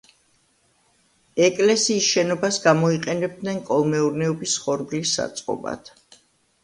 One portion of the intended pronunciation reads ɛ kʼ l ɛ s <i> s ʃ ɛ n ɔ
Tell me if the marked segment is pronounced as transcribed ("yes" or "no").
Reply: no